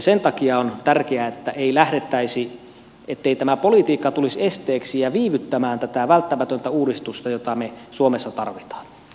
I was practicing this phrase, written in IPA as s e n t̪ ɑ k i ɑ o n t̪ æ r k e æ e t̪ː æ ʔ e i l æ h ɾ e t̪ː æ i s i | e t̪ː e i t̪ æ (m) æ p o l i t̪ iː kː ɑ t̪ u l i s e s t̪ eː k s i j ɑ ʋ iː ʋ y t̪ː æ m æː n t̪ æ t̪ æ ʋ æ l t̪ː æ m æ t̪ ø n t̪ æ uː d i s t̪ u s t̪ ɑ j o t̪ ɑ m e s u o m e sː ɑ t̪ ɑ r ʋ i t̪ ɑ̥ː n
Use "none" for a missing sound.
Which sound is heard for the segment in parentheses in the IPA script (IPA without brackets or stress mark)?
m